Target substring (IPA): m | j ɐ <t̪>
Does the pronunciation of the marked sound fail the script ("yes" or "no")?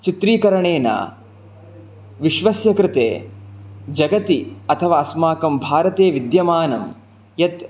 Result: no